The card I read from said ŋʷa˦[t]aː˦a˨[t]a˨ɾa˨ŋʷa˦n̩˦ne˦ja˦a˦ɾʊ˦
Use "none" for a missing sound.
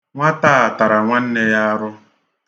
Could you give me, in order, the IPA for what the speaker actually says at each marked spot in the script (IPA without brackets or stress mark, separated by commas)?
t, t